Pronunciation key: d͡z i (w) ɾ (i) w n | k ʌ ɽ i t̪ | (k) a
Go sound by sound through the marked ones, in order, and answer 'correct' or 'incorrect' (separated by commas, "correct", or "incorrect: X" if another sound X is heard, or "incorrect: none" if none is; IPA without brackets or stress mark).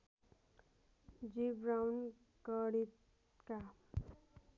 incorrect: b, incorrect: a, correct